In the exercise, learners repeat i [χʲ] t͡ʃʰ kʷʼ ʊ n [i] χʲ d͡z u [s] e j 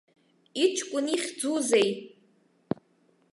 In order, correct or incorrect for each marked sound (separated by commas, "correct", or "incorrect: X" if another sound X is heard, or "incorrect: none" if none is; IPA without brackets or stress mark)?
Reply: incorrect: none, correct, incorrect: z